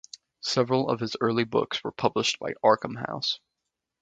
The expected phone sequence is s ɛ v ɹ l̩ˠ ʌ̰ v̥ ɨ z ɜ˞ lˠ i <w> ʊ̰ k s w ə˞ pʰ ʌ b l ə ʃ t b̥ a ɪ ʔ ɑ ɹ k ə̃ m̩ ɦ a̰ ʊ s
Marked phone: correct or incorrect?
incorrect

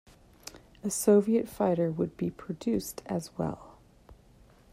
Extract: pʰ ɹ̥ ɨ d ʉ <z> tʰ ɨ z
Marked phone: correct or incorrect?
incorrect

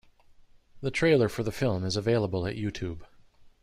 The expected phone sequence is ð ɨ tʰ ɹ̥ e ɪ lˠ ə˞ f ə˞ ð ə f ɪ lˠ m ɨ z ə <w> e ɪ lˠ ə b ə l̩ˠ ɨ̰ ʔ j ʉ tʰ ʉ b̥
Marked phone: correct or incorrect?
incorrect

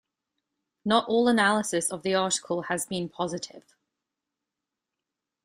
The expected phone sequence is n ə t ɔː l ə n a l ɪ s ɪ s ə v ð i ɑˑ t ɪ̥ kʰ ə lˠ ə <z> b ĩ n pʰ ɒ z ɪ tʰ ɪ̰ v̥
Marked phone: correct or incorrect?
correct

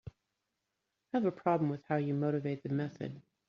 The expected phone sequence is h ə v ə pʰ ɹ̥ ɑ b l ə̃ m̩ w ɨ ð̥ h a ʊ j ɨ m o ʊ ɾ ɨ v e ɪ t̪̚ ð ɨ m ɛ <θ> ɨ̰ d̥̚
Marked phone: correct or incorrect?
correct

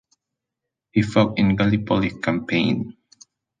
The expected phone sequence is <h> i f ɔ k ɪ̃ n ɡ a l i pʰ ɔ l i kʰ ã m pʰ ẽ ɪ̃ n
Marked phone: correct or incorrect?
correct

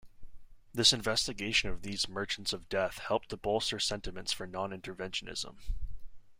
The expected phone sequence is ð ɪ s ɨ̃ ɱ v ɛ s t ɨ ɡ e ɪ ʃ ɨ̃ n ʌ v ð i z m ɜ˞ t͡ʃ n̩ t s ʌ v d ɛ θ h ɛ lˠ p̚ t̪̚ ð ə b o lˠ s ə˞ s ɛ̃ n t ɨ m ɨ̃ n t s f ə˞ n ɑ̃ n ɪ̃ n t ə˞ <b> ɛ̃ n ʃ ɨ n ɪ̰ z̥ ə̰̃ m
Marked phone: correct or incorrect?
incorrect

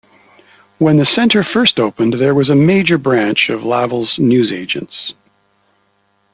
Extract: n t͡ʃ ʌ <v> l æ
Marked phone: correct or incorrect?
correct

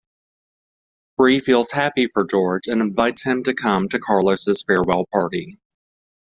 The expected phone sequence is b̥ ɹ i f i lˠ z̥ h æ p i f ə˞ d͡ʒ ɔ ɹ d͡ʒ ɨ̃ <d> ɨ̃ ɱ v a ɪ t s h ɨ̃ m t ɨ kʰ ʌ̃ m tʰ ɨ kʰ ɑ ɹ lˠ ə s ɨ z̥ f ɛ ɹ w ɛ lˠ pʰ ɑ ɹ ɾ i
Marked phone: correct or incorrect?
incorrect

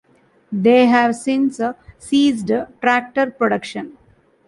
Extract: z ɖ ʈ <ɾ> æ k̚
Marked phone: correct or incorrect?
correct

